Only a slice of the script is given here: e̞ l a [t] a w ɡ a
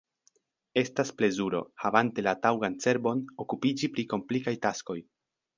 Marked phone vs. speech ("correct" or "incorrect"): correct